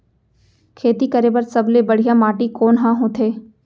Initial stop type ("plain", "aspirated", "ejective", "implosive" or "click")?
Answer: aspirated